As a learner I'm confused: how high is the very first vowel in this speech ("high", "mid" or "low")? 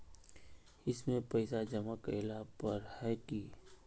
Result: high